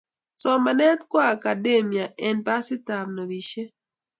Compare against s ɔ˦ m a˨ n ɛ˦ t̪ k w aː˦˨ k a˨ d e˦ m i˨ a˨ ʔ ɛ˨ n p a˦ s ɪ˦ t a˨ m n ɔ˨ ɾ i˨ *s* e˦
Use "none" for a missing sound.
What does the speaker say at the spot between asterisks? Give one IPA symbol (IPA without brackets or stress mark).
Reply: ʃ